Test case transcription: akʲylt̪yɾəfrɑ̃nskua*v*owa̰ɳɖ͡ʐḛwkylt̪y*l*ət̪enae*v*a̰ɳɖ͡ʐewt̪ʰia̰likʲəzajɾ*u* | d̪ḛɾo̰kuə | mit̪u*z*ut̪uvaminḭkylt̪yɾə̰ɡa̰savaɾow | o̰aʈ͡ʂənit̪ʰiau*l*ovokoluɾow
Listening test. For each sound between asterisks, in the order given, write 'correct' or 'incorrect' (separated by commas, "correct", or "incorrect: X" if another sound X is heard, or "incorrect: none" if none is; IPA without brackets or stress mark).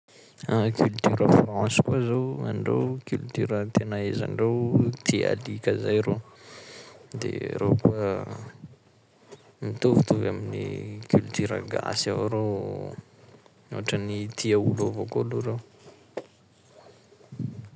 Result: incorrect: z, incorrect: ɾ, incorrect: z, incorrect: o, incorrect: v, correct